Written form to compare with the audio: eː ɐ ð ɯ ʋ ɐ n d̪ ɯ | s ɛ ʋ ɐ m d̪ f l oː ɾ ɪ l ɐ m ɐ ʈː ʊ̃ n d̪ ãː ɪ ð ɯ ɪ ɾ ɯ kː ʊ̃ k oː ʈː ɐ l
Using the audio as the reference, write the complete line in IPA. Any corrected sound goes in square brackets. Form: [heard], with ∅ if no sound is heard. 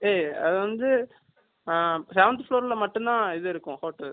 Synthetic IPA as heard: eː ɐ ð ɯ ʋ ɐ n d̪ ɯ | s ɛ ʋ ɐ [n] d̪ f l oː ɾ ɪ l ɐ m ɐ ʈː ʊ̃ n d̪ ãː ɪ ð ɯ ɪ ɾ ɯ kː ʊ̃ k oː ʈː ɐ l